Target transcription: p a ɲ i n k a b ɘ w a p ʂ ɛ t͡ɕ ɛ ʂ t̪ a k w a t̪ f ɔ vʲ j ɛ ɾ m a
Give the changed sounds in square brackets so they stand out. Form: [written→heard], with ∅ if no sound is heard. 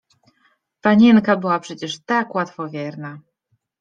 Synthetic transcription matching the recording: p a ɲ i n k a b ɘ w a p ʂ ɛ t͡ɕ ɛ ʂ t̪ a k w a t̪ f ɔ vʲ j ɛ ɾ [m→n] a